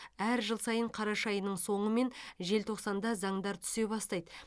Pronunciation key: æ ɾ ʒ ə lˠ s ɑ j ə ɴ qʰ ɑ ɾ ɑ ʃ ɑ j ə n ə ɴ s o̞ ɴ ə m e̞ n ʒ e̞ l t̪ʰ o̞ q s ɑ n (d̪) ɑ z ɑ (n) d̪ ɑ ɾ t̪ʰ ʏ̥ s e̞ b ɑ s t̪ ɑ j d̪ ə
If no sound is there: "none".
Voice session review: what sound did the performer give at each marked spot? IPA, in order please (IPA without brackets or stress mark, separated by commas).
d̪, ɴ